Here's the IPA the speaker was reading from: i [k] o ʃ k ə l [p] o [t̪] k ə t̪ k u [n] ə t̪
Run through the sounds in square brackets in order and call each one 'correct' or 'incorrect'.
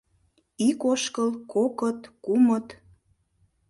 correct, incorrect: k, incorrect: none, incorrect: m

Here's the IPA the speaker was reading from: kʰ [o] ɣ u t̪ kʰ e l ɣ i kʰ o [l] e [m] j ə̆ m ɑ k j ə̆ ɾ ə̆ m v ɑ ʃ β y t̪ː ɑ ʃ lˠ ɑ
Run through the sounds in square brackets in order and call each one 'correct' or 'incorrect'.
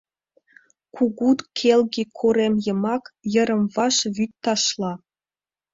incorrect: u, incorrect: ɾ, correct

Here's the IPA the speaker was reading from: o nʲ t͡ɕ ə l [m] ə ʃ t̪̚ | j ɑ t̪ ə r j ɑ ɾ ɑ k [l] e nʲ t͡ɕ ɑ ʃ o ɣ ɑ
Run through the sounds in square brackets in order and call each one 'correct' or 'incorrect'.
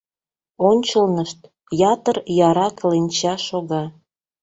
incorrect: n, correct

